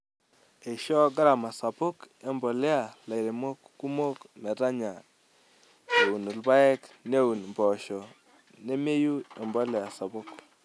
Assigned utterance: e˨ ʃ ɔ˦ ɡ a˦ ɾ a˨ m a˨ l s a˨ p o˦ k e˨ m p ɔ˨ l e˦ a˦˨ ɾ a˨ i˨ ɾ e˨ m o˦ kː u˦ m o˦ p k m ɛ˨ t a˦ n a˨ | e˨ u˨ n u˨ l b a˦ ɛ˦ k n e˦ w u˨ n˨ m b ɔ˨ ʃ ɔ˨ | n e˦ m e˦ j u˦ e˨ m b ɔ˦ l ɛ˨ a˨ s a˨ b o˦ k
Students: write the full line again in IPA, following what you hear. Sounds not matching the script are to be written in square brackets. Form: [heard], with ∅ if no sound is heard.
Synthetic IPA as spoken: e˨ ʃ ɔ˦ ɡ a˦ ɾ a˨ m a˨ [∅] s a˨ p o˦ k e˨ m [b] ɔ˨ l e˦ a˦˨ [l] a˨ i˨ ɾ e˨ m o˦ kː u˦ m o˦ [∅] k m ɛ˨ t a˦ [ɲ] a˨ | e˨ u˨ n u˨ l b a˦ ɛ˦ k n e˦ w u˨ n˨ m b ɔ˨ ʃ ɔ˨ | n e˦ m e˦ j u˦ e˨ m b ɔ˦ l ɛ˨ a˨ s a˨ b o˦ k